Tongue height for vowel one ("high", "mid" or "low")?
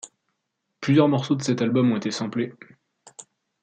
high